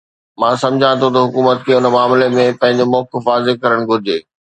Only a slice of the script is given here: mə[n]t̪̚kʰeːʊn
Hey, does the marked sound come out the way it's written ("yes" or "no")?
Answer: no